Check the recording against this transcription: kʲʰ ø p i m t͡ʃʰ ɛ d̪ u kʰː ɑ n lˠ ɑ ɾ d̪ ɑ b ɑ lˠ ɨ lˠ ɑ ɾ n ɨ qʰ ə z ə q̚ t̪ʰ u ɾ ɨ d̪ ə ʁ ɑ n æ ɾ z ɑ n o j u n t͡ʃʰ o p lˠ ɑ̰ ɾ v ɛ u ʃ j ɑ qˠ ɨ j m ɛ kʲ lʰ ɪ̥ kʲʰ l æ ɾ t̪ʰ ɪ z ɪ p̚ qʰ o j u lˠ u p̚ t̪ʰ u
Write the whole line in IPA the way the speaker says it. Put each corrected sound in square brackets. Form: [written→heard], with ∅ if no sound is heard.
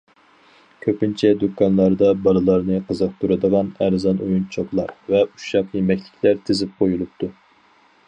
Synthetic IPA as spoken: kʲʰ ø p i [m→n] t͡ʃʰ ɛ d̪ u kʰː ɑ n lˠ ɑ ɾ d̪ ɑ b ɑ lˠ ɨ lˠ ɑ ɾ n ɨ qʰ ə z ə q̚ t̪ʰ u ɾ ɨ d̪ ə ʁ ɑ n æ ɾ z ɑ n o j u n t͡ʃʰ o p lˠ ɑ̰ ɾ v ɛ u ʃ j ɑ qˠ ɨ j m ɛ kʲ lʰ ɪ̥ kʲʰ l æ ɾ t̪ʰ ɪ z ɪ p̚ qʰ o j u lˠ u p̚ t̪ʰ u